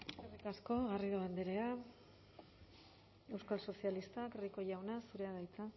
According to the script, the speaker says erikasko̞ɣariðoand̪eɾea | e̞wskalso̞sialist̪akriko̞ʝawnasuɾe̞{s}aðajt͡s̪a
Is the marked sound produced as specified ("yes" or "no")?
no